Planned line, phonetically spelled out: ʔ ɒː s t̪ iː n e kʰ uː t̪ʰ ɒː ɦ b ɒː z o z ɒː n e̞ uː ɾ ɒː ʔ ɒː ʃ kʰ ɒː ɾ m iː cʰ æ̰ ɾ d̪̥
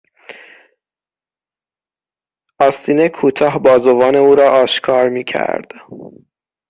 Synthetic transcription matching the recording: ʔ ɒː s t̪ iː n e kʰ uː t̪ʰ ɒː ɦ b ɒː z o v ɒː n e̞ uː ɾ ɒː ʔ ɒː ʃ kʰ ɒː ɾ m iː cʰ æ̰ ɾ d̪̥